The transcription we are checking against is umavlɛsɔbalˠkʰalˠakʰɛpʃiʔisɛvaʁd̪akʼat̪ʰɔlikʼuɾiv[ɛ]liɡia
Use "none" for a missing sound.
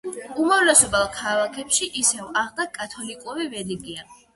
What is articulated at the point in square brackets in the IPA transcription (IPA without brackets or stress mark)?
ɛ